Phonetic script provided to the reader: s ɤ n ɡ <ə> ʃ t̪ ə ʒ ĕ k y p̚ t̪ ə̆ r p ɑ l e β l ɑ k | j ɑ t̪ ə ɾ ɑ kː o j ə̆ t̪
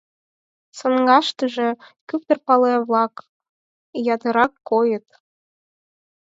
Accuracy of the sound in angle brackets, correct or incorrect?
incorrect